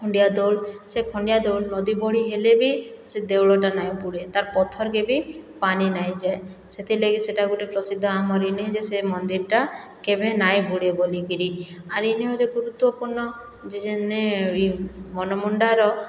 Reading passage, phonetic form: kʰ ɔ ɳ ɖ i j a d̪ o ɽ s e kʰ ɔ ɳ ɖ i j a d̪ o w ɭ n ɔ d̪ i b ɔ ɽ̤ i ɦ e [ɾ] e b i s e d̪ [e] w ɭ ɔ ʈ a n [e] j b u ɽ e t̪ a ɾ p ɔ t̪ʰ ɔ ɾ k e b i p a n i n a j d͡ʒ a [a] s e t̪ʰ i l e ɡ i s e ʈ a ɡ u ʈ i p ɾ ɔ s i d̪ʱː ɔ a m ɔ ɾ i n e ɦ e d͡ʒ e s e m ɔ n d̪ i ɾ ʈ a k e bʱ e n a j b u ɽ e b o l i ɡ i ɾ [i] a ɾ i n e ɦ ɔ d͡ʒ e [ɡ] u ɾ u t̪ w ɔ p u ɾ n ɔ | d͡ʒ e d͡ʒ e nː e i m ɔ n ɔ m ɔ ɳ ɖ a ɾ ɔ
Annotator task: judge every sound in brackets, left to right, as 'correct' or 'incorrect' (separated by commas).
incorrect, correct, incorrect, incorrect, correct, correct